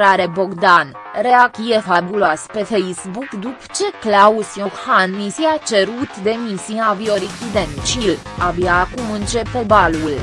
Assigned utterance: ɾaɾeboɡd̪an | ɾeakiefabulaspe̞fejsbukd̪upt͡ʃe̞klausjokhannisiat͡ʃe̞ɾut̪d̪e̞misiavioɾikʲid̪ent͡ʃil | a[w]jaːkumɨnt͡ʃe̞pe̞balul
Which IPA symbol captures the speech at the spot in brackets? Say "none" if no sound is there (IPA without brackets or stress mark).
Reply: b